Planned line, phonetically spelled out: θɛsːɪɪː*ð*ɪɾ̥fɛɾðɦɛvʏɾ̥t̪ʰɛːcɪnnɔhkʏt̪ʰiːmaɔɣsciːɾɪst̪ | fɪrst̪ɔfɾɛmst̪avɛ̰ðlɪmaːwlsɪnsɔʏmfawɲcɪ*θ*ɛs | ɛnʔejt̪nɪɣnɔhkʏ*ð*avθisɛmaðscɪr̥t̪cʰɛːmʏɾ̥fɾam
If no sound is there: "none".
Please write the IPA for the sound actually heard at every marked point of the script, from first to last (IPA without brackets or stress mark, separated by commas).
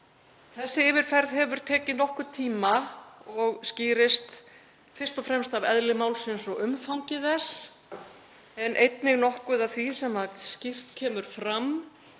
v, ð, ð